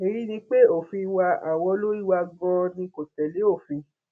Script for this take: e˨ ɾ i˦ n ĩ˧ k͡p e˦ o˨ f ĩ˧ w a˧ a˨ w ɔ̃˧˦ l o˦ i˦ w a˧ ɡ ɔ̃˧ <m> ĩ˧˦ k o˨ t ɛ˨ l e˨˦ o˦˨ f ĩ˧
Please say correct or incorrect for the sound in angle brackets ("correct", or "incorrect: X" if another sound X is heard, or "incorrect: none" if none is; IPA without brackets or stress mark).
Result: incorrect: n